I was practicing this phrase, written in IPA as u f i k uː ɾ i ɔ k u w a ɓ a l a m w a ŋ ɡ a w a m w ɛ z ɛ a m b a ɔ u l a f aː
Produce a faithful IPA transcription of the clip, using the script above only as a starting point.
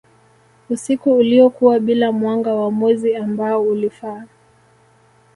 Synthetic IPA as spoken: u s i k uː l i ɔ k u w a ɓ i l a m w a ŋ ɡ a w a m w ɛ z i a m b a ɔ u l i f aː